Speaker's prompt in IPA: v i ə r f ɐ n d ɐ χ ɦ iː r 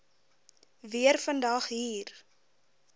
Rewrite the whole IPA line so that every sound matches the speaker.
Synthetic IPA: v i ə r f ə n d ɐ χ ɦ iː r